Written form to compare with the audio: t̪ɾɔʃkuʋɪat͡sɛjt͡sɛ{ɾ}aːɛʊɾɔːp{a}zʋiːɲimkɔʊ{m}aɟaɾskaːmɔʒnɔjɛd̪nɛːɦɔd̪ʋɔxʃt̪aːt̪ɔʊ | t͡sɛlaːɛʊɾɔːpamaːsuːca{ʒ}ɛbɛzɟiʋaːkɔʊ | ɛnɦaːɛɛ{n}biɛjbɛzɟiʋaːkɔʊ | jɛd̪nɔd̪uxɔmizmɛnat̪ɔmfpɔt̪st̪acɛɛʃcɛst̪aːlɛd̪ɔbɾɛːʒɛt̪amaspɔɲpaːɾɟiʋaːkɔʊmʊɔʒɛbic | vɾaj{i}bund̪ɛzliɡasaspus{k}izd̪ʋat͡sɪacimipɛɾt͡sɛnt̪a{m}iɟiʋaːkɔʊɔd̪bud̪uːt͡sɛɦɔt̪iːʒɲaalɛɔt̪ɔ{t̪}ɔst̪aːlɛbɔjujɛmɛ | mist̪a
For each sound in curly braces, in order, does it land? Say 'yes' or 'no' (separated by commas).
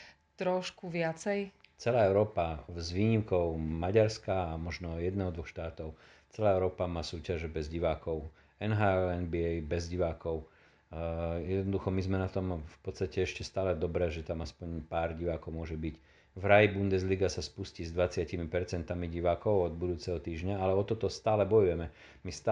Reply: no, yes, yes, yes, yes, yes, no, yes, yes